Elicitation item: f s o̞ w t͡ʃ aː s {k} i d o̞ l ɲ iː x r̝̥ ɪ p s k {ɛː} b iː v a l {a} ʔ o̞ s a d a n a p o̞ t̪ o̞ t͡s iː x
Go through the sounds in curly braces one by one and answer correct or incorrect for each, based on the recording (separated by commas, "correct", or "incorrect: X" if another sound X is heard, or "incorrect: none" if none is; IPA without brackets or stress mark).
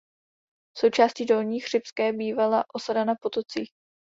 incorrect: c, correct, correct